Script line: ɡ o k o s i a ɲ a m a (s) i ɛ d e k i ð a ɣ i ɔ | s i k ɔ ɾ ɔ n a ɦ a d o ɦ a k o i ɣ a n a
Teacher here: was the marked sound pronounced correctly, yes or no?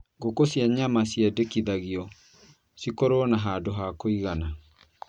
yes